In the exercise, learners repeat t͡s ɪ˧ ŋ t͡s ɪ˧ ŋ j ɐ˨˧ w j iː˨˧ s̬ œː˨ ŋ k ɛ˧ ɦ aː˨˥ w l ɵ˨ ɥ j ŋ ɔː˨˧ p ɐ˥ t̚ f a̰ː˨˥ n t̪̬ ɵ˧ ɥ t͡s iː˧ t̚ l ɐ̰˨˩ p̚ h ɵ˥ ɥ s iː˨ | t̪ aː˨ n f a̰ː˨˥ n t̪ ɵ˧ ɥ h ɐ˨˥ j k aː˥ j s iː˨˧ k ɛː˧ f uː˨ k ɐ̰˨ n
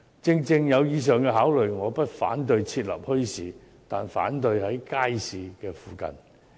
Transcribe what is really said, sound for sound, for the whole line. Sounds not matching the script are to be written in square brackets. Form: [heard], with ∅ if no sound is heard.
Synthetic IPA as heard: t͡s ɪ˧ ŋ t͡s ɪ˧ ŋ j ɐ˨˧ w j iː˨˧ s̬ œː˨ ŋ k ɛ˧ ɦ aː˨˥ w l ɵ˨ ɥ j ŋ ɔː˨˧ p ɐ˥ t̚ f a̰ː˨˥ n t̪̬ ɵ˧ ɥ [t͡sʰ] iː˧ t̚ l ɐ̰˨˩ p̚ h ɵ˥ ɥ s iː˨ | t̪ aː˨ n f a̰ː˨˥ n t̪ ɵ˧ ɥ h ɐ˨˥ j k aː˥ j s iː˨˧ k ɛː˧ f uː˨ k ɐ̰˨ n